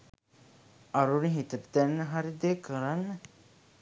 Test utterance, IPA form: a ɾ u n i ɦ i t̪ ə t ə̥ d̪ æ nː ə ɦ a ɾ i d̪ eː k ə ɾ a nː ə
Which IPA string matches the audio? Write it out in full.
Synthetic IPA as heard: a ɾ u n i ɦ i t̪ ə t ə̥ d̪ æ nː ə ɦ a ɾ i d̪ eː k ə ɾ a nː ə